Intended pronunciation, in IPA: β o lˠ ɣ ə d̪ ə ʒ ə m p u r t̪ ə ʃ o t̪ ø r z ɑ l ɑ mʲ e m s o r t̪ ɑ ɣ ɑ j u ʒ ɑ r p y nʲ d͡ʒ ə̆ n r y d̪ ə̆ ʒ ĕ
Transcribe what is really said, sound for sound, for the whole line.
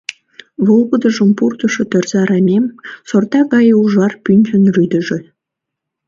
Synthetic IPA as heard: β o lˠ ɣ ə d̪ ə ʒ ə m p u r t̪ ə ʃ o t̪ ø r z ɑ ɾ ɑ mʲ e m s o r t̪ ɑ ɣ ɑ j u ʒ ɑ r p y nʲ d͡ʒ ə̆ n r y d̪ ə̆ ʒ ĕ